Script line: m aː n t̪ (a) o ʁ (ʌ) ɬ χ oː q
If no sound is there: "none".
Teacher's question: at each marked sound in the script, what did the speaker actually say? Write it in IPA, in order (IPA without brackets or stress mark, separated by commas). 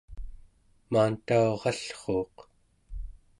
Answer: a, ɑ